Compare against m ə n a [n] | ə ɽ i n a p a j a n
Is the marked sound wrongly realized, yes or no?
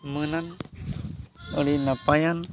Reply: no